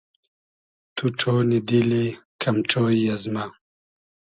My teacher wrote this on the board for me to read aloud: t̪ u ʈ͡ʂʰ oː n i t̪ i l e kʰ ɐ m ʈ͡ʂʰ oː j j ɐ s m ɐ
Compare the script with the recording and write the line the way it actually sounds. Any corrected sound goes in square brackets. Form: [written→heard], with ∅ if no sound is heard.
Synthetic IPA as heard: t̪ u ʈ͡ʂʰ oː n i [t̪→d̪] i l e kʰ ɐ m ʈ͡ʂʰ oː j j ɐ [s→z] m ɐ

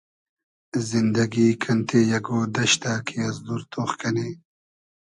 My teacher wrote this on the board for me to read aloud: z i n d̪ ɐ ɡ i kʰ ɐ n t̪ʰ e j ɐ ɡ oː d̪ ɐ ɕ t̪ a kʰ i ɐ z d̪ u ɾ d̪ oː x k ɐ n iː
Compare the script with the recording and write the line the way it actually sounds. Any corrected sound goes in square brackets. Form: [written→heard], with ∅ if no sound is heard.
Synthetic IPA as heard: z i n d̪ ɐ ɡ i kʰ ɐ n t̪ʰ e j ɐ ɡ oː d̪ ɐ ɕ t̪ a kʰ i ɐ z d̪ u ɾ [d̪→t̪] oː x k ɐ n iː

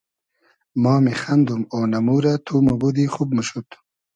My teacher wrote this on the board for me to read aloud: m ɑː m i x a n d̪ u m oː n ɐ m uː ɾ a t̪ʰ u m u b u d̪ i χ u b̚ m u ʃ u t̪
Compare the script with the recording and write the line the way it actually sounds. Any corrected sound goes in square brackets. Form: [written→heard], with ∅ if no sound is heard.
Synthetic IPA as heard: m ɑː m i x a n d̪ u m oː n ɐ m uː ɾ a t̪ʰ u m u b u d̪ i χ u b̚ m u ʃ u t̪

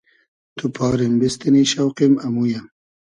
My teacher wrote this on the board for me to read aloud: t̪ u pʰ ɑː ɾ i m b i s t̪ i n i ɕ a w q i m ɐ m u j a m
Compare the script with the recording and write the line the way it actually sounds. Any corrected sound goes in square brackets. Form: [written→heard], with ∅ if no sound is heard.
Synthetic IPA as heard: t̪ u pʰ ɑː ɾ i m b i s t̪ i n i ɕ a w q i m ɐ m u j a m

